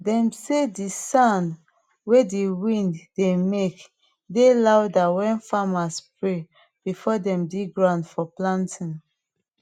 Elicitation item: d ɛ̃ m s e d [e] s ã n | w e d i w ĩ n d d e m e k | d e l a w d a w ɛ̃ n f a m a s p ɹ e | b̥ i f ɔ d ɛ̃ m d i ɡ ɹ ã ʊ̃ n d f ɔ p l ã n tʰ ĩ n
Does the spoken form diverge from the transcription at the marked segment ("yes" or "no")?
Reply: yes